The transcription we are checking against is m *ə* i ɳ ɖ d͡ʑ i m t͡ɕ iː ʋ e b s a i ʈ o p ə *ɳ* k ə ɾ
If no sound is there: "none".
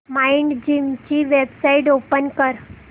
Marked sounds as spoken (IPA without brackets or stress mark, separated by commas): a, n